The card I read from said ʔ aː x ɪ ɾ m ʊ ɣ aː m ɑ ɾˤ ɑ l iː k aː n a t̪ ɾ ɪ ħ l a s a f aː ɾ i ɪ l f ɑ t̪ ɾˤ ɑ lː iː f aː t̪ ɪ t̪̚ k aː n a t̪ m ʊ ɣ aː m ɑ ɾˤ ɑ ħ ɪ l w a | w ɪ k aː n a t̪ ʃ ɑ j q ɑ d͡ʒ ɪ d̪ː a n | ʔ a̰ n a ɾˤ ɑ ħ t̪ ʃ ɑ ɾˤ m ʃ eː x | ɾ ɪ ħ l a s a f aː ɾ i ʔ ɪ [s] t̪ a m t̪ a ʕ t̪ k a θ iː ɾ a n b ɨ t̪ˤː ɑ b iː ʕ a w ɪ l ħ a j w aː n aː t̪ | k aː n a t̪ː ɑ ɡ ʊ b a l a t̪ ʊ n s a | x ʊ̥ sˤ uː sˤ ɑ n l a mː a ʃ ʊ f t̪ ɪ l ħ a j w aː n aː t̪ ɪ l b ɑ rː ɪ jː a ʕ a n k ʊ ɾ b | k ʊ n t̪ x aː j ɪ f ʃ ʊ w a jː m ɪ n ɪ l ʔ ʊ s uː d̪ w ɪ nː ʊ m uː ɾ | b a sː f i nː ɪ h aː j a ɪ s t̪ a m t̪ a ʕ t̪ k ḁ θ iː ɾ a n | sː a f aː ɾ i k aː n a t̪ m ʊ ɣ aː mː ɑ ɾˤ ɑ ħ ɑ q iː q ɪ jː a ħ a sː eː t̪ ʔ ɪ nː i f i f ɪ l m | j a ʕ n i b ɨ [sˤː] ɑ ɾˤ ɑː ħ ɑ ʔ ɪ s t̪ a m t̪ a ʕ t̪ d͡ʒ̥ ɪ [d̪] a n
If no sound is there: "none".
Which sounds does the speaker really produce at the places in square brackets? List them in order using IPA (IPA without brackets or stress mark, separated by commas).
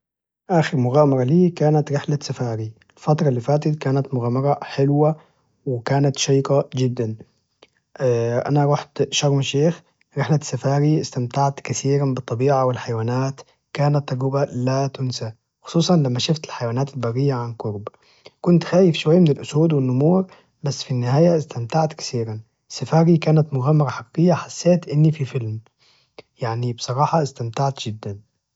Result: s, sˤ, d̪ː